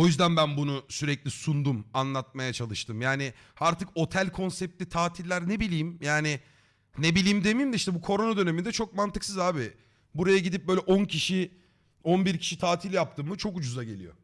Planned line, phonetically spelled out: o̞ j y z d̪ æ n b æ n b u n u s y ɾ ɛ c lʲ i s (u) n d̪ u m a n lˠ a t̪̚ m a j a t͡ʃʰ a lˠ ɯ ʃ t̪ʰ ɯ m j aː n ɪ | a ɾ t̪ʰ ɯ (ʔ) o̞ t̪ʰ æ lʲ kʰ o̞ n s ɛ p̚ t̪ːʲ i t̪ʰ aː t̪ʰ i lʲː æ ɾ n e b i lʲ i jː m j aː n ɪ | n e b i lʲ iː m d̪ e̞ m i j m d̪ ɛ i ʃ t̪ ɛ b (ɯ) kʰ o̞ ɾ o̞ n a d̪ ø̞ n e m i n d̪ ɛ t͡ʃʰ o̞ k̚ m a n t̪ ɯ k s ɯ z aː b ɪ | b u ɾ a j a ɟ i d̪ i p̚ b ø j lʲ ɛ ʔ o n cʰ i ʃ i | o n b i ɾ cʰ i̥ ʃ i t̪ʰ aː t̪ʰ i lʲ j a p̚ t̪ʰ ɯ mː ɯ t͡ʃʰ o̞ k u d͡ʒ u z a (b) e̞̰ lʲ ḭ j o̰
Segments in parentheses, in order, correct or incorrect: correct, incorrect: k, incorrect: u, incorrect: ɟ

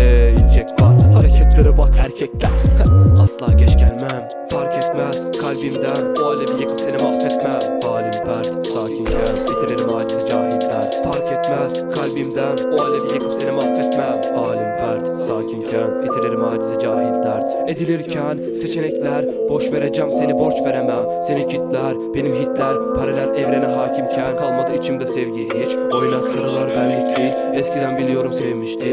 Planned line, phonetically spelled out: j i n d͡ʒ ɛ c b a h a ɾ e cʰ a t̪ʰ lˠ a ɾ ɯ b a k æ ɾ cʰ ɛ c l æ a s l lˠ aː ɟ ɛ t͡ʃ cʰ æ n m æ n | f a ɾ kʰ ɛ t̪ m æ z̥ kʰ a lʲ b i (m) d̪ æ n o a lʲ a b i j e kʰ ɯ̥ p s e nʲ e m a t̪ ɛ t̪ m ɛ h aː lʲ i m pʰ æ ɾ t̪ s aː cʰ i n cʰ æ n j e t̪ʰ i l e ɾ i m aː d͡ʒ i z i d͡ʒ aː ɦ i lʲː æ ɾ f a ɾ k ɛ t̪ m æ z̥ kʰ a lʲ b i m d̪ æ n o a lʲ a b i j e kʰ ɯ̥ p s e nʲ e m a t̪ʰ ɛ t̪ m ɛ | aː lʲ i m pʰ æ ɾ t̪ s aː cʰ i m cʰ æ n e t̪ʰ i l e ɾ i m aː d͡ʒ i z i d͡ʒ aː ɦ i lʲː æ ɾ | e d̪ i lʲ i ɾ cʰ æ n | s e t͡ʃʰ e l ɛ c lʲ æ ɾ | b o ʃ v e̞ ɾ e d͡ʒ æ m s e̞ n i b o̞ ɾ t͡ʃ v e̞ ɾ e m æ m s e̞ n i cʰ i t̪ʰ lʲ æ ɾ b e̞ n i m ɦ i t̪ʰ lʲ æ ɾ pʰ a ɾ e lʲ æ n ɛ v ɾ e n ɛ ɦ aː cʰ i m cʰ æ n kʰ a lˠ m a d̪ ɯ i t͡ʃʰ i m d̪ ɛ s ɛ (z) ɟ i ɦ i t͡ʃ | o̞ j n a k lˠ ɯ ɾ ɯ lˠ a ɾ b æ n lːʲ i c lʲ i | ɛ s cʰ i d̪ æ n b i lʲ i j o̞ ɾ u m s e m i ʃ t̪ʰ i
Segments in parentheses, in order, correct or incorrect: correct, incorrect: v

